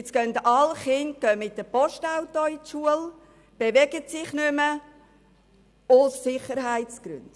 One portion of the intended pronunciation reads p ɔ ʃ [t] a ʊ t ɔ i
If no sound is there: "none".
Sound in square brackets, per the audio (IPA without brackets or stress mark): t